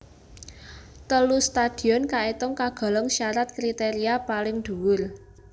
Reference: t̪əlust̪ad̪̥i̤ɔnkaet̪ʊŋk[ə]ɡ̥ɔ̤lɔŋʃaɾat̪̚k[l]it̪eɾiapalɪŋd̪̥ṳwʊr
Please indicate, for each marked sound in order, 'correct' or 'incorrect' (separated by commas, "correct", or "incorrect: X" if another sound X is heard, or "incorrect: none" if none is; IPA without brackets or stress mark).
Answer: incorrect: a, incorrect: ɾ